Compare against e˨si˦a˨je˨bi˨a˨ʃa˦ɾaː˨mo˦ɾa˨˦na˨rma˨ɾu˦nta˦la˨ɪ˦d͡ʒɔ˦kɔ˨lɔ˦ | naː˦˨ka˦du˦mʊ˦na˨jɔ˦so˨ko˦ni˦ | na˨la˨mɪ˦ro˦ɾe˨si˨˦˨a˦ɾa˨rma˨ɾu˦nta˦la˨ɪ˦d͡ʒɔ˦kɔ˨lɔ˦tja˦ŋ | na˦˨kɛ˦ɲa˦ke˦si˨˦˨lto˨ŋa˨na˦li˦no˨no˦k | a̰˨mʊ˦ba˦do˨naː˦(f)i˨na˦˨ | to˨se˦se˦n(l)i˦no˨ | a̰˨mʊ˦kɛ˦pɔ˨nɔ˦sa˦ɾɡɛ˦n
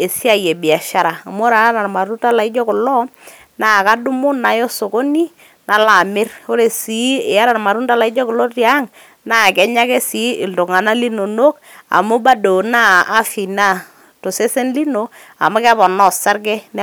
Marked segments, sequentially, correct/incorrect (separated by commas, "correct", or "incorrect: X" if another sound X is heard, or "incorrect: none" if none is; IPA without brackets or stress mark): correct, correct